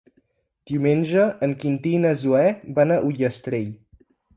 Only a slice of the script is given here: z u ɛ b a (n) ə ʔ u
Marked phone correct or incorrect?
correct